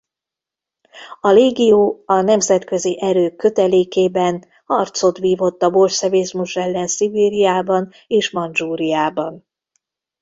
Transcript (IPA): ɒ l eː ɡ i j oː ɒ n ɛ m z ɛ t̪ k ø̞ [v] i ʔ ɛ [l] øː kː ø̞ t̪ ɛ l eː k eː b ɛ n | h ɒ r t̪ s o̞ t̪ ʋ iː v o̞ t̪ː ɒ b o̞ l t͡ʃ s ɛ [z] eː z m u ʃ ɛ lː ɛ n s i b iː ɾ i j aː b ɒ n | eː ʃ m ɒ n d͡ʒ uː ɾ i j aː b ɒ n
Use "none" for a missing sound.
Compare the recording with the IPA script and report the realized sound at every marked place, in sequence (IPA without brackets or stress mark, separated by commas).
z, ɾ, v